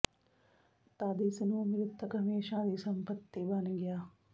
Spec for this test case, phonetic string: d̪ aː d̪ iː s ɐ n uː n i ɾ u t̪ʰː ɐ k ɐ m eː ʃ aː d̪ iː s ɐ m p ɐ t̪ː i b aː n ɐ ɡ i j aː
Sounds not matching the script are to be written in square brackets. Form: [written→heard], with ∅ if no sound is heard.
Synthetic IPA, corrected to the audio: [d̪→t̪] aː d̪ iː s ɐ n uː [n→m] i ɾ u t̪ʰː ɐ k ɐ m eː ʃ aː d̪ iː s ɐ m p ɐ t̪ː i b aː n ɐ ɡ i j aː